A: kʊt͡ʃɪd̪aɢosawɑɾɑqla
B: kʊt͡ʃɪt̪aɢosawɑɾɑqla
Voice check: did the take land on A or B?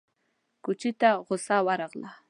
B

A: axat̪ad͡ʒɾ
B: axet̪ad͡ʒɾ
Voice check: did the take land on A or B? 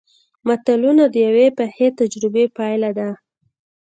B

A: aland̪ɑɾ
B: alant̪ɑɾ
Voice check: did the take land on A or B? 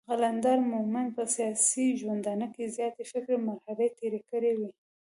A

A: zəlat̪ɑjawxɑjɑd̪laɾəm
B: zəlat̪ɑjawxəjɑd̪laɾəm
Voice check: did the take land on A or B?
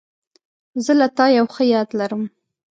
B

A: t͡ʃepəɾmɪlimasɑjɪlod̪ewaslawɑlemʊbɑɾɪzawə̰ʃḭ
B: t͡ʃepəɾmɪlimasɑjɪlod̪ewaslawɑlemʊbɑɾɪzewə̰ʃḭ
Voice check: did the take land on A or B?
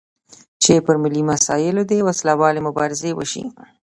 B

